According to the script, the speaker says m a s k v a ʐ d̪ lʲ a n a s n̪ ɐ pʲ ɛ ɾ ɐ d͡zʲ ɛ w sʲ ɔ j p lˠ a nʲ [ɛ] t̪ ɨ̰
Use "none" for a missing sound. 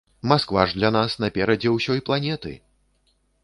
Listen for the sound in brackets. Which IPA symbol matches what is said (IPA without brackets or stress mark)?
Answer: ɛ